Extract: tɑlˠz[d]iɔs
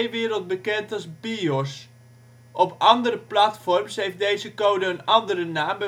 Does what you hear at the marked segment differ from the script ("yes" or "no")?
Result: yes